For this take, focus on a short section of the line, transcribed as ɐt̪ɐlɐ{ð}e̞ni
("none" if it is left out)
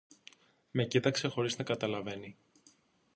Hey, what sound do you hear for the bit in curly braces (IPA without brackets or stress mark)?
v